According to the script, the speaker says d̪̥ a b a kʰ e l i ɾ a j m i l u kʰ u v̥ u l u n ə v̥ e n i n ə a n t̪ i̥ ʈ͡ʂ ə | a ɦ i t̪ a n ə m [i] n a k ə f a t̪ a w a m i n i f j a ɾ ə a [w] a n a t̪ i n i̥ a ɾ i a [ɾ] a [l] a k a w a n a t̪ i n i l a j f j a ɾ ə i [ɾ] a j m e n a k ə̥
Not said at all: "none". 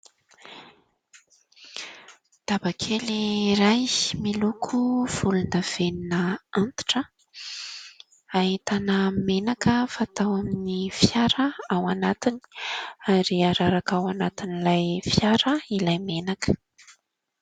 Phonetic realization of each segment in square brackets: e, w, ɾ, ɾ, l

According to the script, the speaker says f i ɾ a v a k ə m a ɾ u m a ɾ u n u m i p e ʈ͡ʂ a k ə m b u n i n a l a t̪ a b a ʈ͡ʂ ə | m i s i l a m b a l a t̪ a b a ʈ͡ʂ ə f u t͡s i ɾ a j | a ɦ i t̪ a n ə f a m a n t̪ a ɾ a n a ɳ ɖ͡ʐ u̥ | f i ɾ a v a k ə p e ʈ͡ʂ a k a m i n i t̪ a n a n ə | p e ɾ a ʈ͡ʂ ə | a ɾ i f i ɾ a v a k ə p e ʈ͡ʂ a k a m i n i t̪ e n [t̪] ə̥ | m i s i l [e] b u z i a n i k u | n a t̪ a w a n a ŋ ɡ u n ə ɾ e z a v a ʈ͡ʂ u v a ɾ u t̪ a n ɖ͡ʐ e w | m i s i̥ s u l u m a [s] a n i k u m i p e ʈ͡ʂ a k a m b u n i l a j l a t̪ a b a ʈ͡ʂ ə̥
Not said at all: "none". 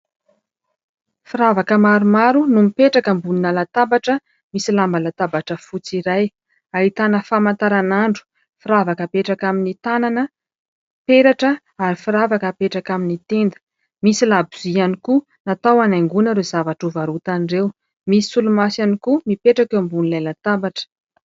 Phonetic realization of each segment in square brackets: d̪, a, s

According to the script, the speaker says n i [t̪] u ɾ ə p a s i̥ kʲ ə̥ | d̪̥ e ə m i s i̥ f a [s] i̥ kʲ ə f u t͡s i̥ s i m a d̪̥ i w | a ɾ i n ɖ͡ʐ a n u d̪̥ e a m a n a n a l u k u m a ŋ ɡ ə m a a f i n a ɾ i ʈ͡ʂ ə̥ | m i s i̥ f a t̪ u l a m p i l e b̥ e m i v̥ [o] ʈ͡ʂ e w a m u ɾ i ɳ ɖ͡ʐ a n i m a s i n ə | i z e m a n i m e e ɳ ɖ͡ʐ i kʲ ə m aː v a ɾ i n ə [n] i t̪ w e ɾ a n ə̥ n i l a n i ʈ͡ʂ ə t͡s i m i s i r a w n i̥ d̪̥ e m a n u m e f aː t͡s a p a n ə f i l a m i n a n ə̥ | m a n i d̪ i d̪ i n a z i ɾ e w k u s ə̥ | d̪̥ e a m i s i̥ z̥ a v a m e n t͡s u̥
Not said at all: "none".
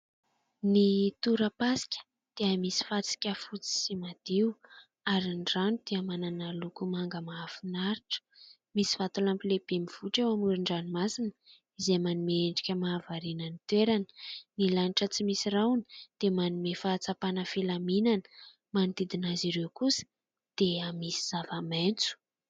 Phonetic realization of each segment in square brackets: t̪, t͡s, u, n

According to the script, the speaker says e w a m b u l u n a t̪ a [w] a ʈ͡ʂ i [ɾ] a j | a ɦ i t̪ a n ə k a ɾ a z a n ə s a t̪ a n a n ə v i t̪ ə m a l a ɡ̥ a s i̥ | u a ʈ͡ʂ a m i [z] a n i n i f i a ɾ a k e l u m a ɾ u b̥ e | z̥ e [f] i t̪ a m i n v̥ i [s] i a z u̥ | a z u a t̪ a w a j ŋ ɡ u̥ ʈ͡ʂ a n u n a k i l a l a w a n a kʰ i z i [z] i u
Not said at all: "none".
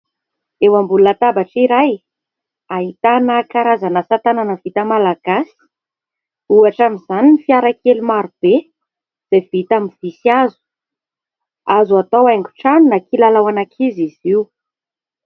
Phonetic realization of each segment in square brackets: b, ɾ, z, v, s, z

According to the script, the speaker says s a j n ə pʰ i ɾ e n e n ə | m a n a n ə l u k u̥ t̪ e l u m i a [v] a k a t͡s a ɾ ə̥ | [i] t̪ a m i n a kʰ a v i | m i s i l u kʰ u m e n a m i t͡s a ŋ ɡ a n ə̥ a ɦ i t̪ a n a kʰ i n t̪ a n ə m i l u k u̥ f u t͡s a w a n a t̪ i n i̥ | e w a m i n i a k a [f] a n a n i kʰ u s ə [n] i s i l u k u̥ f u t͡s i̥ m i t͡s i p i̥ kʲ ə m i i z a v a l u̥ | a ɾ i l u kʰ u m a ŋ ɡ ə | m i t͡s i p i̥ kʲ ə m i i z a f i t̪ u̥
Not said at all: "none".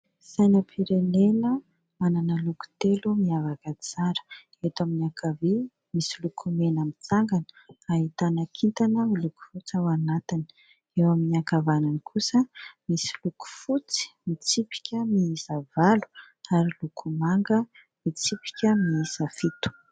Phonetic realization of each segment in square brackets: v, e, v, m

